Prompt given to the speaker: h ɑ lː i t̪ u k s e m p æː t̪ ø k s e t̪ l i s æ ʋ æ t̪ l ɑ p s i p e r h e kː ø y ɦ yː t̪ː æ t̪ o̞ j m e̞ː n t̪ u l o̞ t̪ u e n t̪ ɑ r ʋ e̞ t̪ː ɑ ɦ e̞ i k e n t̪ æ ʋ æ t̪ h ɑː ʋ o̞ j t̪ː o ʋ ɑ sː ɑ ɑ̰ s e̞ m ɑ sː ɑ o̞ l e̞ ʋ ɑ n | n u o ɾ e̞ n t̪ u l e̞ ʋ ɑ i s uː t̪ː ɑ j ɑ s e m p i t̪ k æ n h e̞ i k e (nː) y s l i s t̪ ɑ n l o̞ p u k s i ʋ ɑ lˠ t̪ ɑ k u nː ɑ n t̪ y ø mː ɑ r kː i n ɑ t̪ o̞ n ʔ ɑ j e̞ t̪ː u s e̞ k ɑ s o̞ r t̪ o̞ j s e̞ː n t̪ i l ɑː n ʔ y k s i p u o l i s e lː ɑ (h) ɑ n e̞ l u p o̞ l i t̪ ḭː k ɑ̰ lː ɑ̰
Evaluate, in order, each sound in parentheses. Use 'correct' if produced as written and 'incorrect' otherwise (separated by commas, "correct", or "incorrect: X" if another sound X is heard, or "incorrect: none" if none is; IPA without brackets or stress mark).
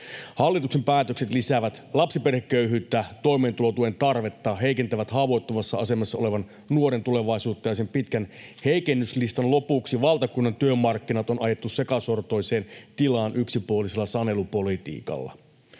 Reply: correct, incorrect: s